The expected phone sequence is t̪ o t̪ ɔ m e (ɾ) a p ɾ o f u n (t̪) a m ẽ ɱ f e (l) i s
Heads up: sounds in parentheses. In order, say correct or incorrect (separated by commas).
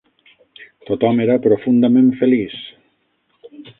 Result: correct, incorrect, correct